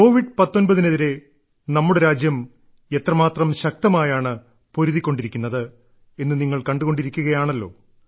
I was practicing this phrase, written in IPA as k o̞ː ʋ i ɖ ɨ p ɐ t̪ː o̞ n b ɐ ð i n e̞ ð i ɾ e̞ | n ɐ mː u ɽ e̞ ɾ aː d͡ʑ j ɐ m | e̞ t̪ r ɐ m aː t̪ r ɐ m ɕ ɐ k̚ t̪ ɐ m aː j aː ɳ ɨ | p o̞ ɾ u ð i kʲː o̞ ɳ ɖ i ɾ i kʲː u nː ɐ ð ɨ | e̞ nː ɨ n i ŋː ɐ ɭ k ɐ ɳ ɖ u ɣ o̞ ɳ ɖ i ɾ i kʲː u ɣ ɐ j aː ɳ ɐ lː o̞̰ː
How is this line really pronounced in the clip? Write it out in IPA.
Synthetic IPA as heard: k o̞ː ʋ i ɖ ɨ p ɐ t̪ː o̞ n b ɐ ð i n e̞ ð i ɾ e̞ | n ɐ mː u ɽ e̞ ɾ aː d͡ʑ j ɐ m | e̞ t̪ r ɐ m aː t̪ r ɐ m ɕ ɐ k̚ t̪ ɐ m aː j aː ɳ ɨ | p o̞ ɾ u ð i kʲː o̞ ɳ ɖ i ɾ i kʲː u nː ɐ ð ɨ | e̞ nː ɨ n i ŋː ɐ ɭ k ɐ ɳ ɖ u ɣ o̞ ɳ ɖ i ɾ i kʲː u ɣ ɐ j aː ɳ ɐ lː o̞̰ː